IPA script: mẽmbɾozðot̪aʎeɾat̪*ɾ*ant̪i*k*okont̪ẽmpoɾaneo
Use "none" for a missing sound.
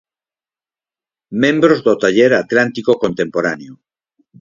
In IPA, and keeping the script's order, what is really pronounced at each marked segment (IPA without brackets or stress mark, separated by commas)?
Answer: l, k